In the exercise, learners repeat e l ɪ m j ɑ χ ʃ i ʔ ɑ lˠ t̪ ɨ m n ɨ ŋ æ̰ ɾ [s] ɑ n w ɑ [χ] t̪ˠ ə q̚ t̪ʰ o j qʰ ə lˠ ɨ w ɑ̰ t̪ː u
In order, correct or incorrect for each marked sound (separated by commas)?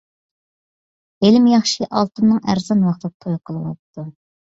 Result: incorrect, correct